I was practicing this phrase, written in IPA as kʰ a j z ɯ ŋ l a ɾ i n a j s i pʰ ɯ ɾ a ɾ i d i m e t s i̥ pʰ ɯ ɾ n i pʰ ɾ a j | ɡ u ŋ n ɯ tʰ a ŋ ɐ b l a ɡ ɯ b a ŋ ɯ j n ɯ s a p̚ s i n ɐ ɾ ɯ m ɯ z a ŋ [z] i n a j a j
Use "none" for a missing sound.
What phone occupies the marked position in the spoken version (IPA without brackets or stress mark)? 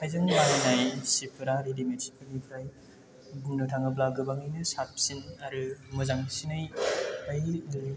s